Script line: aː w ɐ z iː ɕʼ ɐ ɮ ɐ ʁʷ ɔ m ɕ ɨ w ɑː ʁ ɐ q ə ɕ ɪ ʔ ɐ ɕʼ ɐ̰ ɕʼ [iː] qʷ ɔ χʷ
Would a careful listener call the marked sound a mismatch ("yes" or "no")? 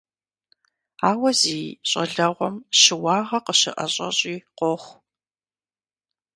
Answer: no